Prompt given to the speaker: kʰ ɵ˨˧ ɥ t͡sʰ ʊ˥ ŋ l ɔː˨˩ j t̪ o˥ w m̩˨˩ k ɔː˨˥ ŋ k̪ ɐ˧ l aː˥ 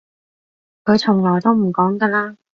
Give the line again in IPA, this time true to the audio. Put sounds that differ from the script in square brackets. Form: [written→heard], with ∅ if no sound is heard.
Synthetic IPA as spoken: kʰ ɵ˨˧ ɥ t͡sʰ [ʊ˥→ʊ˨˩] ŋ l ɔː˨˩ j t̪ o˥ w m̩˨˩ k ɔː˨˥ ŋ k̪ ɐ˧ l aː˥